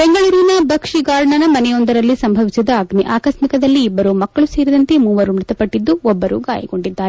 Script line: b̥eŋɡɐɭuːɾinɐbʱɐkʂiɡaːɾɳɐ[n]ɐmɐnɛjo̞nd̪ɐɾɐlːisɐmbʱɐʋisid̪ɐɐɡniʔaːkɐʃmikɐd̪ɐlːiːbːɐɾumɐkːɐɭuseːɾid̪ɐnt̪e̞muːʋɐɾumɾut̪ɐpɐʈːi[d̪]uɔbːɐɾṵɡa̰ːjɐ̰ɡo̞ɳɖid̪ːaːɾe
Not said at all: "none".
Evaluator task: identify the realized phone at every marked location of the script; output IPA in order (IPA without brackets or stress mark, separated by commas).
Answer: n, d̪ː